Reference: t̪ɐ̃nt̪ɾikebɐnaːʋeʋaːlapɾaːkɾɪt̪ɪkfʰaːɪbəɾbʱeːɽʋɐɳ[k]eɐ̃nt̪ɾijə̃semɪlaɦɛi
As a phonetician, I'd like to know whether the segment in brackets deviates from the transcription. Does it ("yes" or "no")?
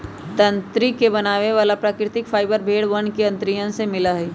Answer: no